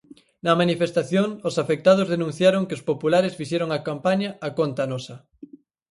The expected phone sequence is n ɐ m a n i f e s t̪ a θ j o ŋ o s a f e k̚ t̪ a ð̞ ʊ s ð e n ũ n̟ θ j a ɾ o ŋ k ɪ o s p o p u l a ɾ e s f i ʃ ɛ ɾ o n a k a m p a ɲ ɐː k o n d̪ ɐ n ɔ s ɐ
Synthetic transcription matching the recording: n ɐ m a n i f e s t̪ a θ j o ŋ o s a f e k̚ t̪ a ð̞ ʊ z ð e n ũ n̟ θ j a ɾ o ŋ k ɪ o s p o p u l a ɾ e s f i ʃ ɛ ɾ o ŋ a k a m p a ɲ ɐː k o n t̪ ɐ n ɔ s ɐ